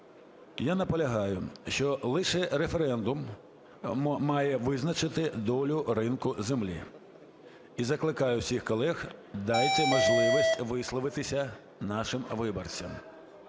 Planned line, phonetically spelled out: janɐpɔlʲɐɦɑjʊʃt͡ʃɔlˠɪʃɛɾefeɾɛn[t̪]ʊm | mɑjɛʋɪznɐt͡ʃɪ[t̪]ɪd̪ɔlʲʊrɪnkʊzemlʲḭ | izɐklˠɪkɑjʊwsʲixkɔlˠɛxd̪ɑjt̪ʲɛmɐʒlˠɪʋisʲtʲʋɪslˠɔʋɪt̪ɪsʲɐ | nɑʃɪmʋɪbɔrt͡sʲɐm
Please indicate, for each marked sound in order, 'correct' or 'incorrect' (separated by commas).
incorrect, correct